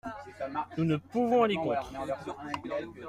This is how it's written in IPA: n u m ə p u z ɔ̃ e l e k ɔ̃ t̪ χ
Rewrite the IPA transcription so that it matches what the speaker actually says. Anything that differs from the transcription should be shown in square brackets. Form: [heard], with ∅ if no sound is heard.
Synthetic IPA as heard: n u [n] ə p u [v] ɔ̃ [a] l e k ɔ̃ t̪ χ